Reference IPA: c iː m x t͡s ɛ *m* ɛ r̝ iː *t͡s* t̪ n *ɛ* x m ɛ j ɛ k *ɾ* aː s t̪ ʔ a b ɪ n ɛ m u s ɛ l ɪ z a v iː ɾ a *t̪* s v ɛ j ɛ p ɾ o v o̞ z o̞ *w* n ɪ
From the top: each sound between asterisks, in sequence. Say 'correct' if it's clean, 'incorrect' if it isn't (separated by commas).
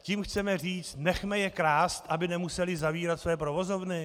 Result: correct, correct, correct, correct, correct, incorrect